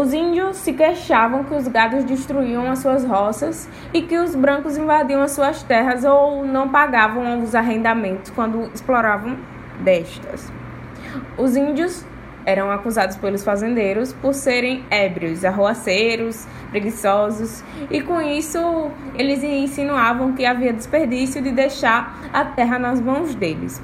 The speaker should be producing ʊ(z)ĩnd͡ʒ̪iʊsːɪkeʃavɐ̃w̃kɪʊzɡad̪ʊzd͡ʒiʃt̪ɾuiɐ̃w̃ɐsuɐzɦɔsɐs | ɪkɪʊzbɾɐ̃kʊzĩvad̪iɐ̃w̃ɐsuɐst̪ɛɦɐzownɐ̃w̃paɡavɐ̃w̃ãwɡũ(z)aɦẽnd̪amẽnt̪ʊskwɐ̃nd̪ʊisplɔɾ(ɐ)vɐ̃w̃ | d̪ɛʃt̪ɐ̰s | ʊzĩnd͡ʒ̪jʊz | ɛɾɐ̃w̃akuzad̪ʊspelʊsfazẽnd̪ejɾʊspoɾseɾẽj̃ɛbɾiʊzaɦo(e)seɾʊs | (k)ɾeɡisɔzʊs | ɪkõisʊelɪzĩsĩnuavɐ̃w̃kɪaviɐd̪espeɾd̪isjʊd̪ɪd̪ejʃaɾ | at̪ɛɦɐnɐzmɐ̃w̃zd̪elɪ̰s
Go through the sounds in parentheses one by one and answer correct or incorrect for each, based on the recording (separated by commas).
correct, correct, incorrect, incorrect, incorrect